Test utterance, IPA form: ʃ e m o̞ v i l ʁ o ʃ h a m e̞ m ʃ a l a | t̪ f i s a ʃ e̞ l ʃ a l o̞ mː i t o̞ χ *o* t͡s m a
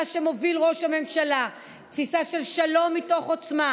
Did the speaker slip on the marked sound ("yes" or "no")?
no